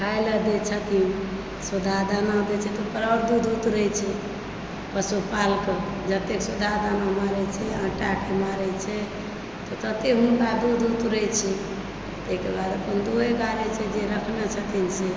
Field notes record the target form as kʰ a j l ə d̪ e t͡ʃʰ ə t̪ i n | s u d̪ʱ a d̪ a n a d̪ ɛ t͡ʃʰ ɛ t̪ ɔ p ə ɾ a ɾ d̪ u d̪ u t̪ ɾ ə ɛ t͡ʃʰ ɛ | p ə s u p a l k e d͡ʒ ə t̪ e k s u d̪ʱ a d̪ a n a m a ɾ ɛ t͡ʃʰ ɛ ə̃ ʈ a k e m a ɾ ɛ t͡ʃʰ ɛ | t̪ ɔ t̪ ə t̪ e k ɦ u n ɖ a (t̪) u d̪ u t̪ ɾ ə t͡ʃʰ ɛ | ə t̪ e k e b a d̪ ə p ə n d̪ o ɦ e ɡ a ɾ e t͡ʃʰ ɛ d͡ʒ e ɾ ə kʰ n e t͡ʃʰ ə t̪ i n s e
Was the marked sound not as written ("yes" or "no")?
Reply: yes